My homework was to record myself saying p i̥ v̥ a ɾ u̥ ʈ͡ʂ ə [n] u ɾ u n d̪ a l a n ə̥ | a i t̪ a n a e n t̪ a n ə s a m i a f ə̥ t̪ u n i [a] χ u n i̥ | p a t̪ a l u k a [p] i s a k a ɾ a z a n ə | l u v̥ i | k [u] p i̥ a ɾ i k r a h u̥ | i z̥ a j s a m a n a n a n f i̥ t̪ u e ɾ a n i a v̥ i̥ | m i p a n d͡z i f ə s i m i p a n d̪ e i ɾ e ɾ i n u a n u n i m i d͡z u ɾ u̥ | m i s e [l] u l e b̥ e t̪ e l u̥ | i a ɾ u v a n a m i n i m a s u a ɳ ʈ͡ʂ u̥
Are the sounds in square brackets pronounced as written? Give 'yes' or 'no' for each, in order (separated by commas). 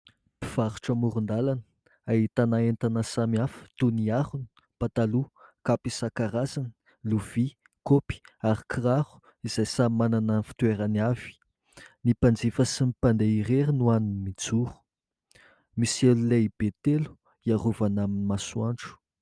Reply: no, yes, yes, no, yes